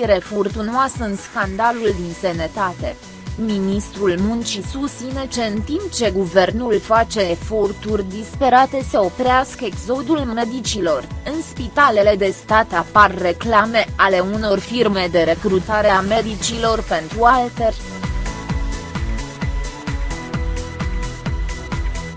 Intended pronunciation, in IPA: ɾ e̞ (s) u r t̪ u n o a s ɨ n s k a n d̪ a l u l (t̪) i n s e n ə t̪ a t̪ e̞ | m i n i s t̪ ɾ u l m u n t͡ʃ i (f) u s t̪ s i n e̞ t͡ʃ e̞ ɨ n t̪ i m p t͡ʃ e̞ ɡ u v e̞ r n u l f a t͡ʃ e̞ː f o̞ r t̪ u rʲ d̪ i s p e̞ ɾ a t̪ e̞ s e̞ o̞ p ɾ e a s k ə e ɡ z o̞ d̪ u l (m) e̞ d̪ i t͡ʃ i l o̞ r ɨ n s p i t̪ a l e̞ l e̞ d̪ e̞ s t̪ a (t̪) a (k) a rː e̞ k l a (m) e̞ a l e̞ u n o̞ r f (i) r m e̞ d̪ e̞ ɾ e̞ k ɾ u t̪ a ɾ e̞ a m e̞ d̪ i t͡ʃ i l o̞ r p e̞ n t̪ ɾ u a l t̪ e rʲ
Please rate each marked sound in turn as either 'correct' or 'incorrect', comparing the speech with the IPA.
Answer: incorrect, incorrect, incorrect, correct, correct, incorrect, correct, correct

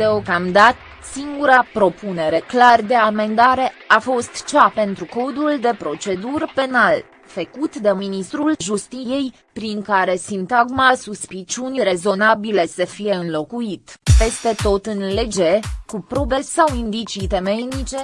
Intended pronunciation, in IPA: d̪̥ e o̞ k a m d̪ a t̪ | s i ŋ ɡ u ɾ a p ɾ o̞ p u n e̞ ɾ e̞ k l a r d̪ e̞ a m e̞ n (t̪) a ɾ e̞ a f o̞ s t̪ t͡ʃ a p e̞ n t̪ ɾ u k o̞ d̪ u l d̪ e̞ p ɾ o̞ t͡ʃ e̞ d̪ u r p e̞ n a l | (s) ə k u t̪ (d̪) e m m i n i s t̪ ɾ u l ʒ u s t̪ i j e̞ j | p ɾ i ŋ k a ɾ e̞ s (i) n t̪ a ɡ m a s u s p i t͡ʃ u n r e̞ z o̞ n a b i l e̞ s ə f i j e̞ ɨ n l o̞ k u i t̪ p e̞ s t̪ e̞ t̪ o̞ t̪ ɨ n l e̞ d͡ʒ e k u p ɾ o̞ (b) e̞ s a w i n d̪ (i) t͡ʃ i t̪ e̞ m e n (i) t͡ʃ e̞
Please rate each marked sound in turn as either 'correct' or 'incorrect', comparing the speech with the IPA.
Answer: incorrect, incorrect, correct, correct, correct, correct, correct

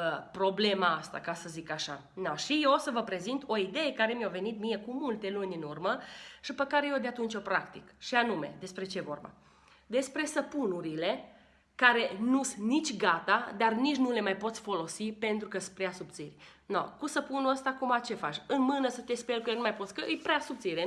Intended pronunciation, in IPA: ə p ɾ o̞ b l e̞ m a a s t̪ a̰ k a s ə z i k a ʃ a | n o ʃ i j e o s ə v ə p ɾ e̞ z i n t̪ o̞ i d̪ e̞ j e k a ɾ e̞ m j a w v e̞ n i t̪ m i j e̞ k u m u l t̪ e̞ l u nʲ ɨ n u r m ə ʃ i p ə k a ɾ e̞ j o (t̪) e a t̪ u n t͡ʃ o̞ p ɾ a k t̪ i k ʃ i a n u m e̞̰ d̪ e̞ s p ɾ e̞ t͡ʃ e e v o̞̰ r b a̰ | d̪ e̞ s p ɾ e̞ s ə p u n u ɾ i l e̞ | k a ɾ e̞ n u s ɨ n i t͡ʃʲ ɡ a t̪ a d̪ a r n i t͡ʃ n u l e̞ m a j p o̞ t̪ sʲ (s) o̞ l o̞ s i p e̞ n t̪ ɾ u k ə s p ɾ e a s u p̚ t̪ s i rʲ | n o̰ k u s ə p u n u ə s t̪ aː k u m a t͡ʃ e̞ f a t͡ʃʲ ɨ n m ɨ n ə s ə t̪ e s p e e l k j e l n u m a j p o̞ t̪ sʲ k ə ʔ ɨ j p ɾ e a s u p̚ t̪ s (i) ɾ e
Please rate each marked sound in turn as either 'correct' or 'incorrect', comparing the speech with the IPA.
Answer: incorrect, incorrect, correct

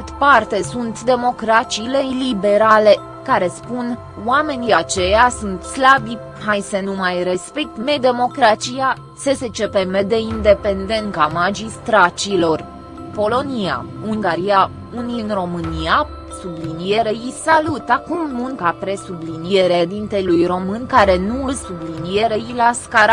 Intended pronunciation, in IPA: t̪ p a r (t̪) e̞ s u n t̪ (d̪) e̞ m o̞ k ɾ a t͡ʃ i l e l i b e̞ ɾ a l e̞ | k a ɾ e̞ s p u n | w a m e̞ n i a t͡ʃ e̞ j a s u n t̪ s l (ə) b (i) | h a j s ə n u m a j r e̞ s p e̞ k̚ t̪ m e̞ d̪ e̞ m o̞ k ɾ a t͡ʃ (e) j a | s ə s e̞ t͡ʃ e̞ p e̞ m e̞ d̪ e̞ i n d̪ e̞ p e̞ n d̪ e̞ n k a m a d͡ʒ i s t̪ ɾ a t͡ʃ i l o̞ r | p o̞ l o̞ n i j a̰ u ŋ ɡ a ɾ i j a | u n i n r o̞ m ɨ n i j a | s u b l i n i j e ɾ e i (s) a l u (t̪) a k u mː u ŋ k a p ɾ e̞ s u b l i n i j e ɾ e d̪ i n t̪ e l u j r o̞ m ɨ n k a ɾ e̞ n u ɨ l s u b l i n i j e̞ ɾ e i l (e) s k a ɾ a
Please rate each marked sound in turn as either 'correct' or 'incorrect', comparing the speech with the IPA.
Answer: correct, correct, incorrect, correct, incorrect, correct, correct, incorrect

